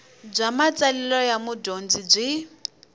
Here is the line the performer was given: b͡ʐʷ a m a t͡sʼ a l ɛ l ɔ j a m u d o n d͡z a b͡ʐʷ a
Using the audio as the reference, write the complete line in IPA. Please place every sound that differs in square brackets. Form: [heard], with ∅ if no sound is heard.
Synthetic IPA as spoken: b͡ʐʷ a m a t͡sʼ a l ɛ l ɔ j a m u d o n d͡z [i] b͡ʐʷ [i]